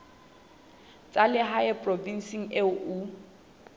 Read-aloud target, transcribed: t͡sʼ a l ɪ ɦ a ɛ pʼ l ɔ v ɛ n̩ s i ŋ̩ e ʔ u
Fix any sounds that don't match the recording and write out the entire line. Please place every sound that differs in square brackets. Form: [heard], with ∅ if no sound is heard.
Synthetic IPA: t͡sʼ a l ɪ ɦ a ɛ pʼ [r] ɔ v [i] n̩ s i ŋ̩ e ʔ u